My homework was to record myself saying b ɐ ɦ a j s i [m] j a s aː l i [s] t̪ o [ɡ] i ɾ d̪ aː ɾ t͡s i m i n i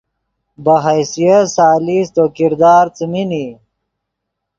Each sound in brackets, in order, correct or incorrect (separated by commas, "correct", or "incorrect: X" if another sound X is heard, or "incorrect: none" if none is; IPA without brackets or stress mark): incorrect: none, correct, incorrect: k